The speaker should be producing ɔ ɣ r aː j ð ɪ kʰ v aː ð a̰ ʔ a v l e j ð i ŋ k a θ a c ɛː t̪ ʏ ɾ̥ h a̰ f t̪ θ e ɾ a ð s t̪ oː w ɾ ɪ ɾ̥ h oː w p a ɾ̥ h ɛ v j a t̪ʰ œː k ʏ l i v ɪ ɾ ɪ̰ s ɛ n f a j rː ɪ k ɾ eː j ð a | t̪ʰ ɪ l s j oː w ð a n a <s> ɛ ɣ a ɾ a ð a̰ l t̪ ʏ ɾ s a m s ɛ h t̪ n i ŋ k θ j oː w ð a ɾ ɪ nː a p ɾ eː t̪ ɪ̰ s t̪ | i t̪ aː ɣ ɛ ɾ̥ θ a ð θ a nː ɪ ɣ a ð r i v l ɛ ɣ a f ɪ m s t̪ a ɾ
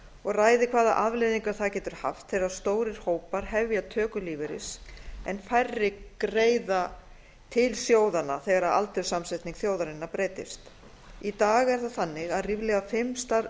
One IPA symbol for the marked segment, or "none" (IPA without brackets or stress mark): θ